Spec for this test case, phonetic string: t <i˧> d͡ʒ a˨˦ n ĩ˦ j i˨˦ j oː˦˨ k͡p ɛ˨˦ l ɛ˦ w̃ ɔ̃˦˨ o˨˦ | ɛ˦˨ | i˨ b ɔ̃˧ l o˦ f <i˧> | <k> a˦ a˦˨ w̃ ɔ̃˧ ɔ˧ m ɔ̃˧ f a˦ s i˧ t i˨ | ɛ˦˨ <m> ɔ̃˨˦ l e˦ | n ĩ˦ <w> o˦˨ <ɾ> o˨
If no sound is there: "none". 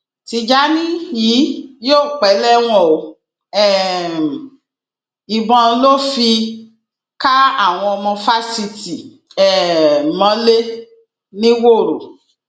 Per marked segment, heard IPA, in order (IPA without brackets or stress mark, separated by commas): i˧, i˧, k, m, w, ɾ